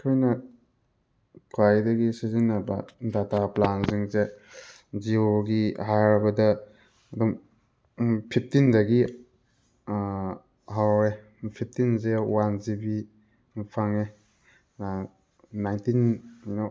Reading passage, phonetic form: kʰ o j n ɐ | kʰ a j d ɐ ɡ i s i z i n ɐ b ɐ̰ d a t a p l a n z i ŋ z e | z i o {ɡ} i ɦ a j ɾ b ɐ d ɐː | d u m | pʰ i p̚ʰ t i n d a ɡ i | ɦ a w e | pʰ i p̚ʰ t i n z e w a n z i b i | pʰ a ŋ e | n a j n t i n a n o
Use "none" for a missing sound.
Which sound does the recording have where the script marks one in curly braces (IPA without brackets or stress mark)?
ɡ